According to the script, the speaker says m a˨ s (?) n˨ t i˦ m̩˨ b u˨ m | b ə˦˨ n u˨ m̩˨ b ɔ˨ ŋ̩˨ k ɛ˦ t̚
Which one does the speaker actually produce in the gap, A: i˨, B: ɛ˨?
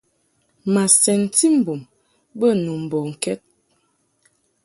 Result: B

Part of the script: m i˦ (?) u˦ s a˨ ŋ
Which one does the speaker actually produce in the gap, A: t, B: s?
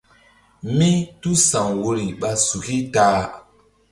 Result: A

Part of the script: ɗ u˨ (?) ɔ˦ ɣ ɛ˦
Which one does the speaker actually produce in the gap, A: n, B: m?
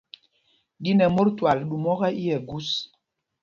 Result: B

